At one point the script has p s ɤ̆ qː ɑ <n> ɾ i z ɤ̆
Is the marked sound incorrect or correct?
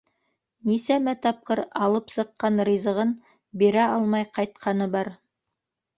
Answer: correct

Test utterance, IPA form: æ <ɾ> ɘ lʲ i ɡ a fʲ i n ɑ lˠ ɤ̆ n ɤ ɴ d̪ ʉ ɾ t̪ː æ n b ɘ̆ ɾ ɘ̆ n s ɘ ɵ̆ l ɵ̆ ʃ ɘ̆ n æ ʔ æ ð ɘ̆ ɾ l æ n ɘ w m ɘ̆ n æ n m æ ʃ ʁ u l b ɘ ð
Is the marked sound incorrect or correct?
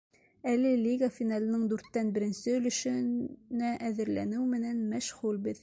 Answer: incorrect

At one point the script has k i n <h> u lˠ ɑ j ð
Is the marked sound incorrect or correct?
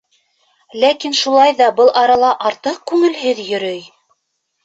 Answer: incorrect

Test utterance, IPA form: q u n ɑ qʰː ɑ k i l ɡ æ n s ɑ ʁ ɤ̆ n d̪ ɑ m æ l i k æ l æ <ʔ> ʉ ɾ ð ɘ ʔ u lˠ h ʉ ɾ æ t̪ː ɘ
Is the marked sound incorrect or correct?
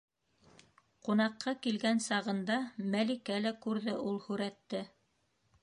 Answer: incorrect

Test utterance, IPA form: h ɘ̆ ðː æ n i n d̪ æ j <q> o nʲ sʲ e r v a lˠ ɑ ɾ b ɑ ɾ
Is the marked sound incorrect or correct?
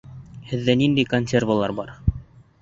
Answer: incorrect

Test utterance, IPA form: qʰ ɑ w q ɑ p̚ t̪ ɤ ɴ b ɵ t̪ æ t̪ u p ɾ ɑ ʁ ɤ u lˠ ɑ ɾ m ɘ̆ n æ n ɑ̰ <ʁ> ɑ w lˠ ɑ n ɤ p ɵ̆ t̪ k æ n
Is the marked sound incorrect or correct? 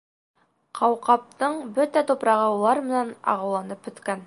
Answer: correct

